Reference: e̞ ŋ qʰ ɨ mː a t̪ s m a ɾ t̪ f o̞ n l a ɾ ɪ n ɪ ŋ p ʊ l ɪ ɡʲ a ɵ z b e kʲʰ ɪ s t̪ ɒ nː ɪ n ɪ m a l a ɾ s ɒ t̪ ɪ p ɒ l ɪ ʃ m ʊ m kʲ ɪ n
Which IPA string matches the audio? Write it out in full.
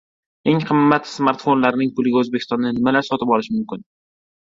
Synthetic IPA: e̞ ŋ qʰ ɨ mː a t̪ s m a ɾ t̪ f o̞ n l a ɾ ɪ n ɪ ŋ p ʊ l ɪ ɡʲ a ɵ z b e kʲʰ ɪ s t̪ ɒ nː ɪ n ɪ m a l a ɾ s ɒ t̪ ɪ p ɒ l ɪ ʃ m ʊ m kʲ ɪ n